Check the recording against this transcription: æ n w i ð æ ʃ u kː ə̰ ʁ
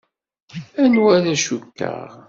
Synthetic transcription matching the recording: æ n w æ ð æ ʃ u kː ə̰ ʁ